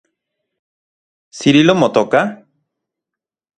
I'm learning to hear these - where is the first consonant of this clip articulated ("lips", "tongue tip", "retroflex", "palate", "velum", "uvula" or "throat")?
tongue tip